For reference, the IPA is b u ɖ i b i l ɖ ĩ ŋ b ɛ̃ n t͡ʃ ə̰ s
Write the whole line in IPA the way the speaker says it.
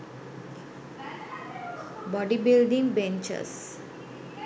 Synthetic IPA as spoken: b ɔ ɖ i b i l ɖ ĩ ŋ b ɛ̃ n t͡ʃ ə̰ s

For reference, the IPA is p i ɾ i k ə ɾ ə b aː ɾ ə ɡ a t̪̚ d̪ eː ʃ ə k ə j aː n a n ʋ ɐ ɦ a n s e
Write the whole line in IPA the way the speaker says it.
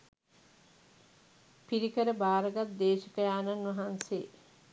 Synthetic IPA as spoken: p i ɾ i k ə ɾ ə b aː ɾ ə ɡ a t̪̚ d̪ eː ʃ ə k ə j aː n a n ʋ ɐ ɦ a n s e

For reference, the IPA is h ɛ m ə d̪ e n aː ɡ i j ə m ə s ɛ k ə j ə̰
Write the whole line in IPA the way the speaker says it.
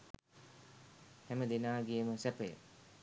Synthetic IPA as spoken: h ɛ m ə d̪ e n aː ɡ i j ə m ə s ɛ p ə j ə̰

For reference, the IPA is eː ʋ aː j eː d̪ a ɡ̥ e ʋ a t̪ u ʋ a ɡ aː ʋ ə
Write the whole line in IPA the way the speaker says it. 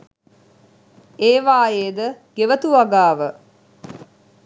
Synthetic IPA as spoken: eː ʋ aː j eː d̪ ə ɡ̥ e ʋ ə t̪ u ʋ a ɡ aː ʋ ə

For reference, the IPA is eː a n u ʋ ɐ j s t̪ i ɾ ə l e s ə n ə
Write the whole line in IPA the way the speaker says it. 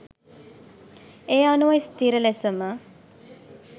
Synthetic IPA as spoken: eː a n u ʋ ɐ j s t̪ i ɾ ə l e s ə m ə

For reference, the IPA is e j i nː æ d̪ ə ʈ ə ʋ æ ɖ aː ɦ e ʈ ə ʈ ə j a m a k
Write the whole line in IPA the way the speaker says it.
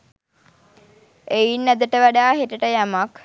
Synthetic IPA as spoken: e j i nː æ d̪ ə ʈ ə ʋ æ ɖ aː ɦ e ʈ ə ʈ ə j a m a k

